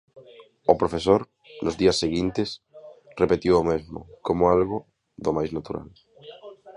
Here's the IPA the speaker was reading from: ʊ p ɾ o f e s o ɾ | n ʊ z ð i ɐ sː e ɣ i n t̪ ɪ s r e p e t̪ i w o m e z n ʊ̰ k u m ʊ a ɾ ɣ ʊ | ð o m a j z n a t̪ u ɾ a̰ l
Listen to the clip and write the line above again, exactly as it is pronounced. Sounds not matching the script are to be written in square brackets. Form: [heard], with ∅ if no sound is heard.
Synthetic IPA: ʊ p ɾ o f e s o ɾ | n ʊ z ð i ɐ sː e ɣ i n t̪ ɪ s r e p e t̪ i w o m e z [m] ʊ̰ k [o] m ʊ a [l] ɣ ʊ | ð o m a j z n a t̪ u ɾ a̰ l